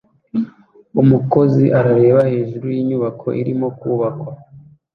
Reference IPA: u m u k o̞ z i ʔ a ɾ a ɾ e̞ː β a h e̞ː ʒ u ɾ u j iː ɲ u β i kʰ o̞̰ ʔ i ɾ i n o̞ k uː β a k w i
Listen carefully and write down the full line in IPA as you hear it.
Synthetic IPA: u m u k o̞ z i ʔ a ɾ a ɾ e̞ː β a h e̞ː ʒ u ɾ u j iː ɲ u β a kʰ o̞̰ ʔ i ɾ i m o̞ k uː β a k w a